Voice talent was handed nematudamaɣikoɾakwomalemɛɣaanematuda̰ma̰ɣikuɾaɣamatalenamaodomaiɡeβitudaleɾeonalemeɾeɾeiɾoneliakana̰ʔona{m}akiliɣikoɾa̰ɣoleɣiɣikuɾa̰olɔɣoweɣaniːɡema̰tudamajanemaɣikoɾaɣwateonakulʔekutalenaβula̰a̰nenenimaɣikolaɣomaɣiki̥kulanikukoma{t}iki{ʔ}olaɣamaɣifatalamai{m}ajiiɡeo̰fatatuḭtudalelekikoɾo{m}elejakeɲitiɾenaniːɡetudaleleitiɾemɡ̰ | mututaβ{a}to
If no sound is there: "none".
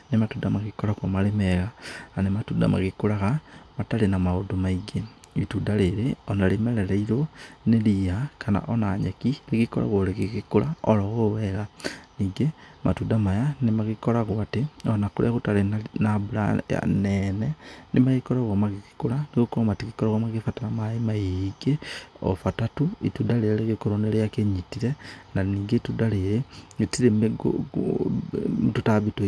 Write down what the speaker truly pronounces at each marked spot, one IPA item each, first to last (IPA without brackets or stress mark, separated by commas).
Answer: ɲ, t, k, m, n, i